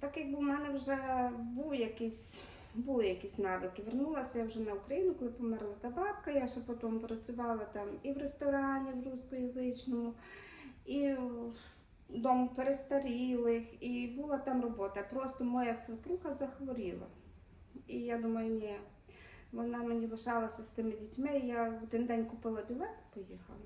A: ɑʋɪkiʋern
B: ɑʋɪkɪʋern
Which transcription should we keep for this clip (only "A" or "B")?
B